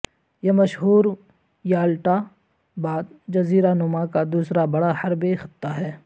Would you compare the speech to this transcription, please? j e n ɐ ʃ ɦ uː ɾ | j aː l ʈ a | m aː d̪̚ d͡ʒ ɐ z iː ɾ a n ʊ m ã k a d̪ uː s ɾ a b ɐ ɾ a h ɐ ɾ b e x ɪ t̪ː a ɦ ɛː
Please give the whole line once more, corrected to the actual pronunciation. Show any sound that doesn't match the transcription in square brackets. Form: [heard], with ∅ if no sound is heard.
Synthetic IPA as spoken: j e [m] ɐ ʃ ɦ uː ɾ | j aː l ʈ a | [b] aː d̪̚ d͡ʒ ɐ z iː ɾ a n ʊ m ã k a d̪ uː s ɾ a b ɐ [ɽ] a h ɐ ɾ b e x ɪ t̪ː a ɦ ɛː